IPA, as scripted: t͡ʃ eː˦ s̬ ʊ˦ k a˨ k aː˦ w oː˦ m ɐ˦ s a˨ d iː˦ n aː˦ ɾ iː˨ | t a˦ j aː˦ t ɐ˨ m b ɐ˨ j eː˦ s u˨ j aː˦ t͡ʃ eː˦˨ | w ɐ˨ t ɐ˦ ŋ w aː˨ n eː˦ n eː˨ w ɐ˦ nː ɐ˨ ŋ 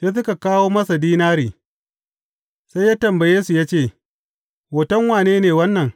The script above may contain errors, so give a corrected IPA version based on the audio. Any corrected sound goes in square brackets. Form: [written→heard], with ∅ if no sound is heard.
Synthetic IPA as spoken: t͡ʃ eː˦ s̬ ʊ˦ k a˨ k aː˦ w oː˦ m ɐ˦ s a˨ d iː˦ n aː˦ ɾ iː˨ | [t→s] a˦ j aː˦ t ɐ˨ m b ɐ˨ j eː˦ s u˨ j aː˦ t͡ʃ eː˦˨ | w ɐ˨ t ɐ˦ ŋ w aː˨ n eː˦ n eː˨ w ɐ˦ nː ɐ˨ ŋ